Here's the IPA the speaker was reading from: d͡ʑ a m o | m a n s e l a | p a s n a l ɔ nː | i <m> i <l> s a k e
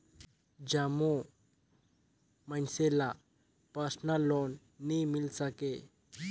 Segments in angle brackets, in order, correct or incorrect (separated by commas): correct, correct